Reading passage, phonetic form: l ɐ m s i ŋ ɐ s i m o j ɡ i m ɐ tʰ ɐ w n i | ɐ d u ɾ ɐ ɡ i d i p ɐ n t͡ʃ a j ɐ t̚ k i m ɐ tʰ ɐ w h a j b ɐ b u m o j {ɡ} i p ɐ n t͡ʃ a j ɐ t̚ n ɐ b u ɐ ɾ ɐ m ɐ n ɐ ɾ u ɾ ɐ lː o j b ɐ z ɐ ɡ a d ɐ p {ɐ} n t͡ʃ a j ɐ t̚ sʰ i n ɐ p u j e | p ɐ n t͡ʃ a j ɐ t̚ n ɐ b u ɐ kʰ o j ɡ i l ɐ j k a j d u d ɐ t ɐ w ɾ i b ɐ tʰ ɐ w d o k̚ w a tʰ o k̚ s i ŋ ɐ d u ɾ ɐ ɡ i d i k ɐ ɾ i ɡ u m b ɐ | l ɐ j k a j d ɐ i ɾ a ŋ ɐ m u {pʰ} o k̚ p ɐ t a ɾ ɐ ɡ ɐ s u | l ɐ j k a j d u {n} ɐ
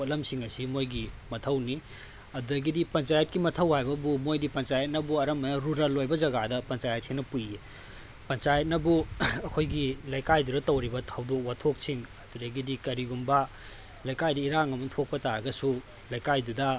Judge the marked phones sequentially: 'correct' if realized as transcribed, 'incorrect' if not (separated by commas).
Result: incorrect, correct, incorrect, incorrect